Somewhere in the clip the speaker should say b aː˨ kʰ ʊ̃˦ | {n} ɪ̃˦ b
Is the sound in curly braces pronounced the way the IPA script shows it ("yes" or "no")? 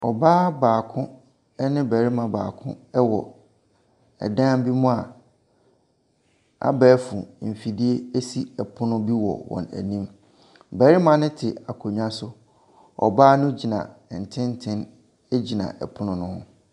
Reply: yes